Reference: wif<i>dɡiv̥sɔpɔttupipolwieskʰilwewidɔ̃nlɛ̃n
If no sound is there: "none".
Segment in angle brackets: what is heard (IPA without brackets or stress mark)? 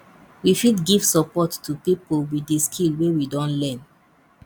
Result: i